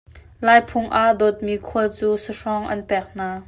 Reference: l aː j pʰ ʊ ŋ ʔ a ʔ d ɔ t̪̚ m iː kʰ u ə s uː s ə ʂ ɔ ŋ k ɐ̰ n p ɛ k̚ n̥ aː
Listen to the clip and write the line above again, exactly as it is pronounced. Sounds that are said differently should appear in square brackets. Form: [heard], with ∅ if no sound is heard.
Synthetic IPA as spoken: l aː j pʰ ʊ ŋ ʔ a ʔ d ɔ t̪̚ m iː kʰ u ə [t͡s] uː s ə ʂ ɔ ŋ [ʔ] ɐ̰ n p ɛ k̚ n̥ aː